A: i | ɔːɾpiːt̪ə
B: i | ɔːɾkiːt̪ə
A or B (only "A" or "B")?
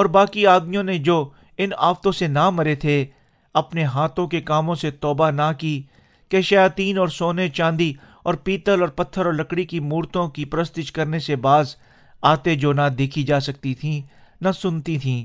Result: A